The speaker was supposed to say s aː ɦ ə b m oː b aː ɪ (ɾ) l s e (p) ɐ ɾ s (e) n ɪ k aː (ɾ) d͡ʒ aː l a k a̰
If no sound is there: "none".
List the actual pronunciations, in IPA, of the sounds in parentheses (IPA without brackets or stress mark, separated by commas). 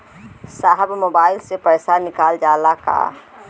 none, p, a, l